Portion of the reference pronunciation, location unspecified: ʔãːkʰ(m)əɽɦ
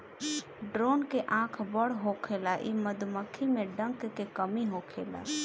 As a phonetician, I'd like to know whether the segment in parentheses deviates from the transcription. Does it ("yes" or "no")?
yes